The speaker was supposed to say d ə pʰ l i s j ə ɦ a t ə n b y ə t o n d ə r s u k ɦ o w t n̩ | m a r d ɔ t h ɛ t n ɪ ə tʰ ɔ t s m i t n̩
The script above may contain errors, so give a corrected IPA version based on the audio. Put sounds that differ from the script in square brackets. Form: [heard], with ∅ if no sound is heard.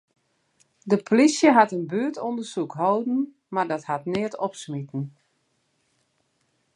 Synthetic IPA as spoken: d ə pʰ l i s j ə ɦ a t ə n b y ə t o n d ə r s u k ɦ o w [d] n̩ | m a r d ɔ t h [a] t n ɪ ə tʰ ɔ [p] s m i t n̩